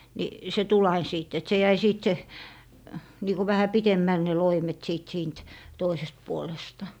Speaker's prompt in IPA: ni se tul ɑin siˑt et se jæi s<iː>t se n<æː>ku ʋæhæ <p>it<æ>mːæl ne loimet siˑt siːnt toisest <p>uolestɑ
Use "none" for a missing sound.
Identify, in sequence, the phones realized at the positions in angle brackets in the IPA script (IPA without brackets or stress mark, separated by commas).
iː, iː, p, e, p